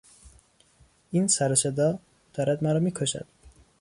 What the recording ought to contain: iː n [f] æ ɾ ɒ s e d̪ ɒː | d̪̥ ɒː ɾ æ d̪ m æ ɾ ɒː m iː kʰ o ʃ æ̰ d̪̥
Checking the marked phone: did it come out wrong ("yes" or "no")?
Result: yes